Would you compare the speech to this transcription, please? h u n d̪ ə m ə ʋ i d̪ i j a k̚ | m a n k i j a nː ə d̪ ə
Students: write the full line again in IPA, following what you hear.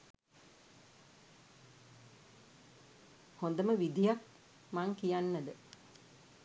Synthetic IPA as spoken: h o n d̪ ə m ə ʋ i d̪ i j a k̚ | m a ŋ k i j a nː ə d̪ ə

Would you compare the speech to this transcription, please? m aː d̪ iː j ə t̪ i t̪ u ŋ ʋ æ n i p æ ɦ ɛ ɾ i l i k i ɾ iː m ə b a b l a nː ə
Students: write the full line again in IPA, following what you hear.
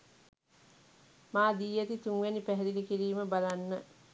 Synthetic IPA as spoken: m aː d̪ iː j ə t̪ i t̪ u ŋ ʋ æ n i p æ ɦ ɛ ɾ i l i k i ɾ iː m ə b a l a nː ə

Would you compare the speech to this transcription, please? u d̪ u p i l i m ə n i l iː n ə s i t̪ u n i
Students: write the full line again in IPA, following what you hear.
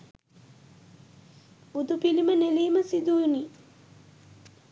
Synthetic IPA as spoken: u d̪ u p i l i m ə n e l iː m ə s i d̪ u n i

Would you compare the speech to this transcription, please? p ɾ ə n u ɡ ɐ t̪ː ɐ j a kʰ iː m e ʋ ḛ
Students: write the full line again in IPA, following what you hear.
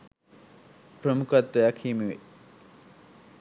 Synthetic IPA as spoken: p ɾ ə m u k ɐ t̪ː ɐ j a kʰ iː m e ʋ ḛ

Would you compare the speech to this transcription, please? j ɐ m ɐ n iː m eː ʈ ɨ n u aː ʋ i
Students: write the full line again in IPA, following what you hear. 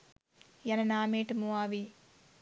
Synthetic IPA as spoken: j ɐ n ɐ n aː m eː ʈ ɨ m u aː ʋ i

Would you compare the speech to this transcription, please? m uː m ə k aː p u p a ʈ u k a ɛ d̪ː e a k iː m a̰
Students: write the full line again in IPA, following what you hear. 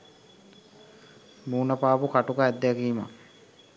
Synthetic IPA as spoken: m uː n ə p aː p u k a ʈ u k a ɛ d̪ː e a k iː m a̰

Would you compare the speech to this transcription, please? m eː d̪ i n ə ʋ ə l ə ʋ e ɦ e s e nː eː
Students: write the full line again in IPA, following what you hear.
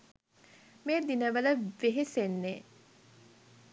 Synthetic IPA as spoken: m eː d̪ i n ə ʋ ə l ə ʋ e ɦ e s e nː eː

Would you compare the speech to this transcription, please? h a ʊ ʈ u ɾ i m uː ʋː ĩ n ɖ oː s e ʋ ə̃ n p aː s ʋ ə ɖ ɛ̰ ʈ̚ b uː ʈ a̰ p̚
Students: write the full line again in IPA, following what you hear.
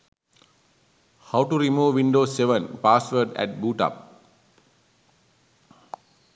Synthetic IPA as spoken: h a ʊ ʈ u ɾ i m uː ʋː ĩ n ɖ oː s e ʋ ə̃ n p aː s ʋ ə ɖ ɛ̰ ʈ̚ b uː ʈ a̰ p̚

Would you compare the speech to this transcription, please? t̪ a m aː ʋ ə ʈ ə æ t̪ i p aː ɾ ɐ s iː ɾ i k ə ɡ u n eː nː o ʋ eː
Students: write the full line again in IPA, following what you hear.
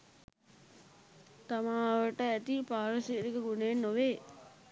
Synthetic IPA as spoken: t̪ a m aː ʋ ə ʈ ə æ t̪ i p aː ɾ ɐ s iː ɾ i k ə ɡ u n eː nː o ʋ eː

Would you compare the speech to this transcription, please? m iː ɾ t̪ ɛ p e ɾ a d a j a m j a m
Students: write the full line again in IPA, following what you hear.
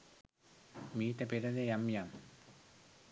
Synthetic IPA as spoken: m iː t̪ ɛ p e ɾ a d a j a m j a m

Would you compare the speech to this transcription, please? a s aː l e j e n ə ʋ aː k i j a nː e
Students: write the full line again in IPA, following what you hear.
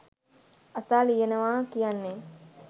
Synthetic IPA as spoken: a s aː l i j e n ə ʋ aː k i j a nː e

